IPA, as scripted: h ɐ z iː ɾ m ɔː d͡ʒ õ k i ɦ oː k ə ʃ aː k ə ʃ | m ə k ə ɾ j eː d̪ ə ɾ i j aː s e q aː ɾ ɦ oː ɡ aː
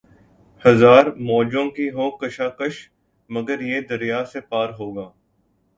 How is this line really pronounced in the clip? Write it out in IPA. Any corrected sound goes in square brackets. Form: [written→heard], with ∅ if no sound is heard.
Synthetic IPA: h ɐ z [iː→aː] ɾ m ɔː d͡ʒ õ k i ɦ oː k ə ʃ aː k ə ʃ | m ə [k→ɡ] ə ɾ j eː d̪ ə ɾ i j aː s e [q→p] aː ɾ ɦ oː ɡ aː